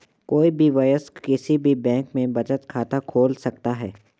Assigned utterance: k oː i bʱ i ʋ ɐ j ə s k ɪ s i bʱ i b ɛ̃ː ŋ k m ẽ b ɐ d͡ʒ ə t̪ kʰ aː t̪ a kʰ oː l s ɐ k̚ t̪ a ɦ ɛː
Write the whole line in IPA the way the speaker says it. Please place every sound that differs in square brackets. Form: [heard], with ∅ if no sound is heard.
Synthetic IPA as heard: k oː i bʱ i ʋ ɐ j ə s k ɪ s i bʱ i b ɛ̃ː ŋ k m ẽ b ɐ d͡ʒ ə t̪ kʰ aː t̪ a kʰ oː l s ɐ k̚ t̪ a ɦ ɛː